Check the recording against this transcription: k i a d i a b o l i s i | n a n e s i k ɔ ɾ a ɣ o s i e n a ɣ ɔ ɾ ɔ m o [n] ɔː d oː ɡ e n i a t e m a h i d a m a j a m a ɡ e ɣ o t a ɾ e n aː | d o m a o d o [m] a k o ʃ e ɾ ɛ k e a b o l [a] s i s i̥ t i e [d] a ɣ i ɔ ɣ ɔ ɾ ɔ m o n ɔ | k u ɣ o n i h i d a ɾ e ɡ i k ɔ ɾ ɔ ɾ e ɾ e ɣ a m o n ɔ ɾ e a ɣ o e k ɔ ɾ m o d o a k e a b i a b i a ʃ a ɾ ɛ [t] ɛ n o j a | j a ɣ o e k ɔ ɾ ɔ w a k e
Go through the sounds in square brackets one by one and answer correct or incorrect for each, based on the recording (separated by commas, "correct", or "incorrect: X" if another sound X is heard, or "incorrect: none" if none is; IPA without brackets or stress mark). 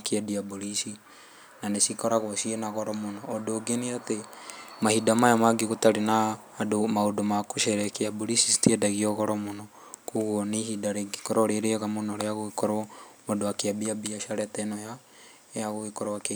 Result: correct, correct, incorrect: i, correct, correct